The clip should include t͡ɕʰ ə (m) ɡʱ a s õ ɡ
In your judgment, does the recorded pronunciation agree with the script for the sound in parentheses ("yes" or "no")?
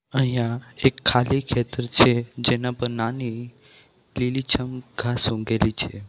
yes